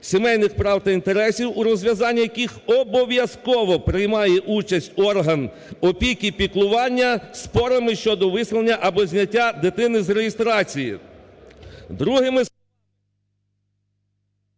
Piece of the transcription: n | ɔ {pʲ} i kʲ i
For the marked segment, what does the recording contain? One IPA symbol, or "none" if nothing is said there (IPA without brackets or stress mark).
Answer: pʲ